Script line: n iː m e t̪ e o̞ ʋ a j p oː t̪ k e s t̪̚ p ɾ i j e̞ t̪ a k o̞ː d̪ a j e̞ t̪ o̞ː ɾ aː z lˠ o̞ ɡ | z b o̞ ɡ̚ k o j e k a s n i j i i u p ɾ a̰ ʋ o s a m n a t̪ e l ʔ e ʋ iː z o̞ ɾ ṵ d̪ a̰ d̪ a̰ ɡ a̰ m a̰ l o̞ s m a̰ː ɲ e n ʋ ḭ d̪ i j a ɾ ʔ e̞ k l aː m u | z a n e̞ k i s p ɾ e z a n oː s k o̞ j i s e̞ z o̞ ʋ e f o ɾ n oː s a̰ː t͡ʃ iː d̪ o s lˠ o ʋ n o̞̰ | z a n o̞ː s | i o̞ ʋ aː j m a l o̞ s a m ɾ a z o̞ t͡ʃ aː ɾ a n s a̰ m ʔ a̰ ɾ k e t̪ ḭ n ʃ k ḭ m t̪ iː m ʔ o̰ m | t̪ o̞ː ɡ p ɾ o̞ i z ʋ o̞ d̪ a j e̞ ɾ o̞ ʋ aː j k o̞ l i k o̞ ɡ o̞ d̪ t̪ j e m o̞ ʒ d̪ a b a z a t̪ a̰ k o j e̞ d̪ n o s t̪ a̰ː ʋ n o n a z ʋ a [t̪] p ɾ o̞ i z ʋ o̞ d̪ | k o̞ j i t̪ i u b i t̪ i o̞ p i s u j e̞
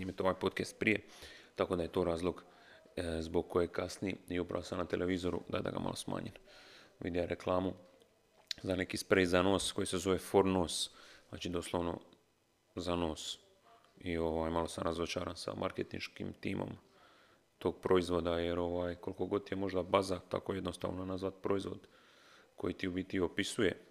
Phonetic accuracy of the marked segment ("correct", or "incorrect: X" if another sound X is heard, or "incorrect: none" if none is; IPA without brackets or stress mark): correct